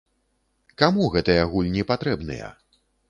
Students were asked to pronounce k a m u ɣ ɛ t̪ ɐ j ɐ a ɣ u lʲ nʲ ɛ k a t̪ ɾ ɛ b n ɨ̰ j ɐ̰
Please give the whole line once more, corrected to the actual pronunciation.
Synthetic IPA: k a m u ɣ ɛ t̪ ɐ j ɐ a ɣ u lʲ nʲ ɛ p a t̪ ɾ ɛ b n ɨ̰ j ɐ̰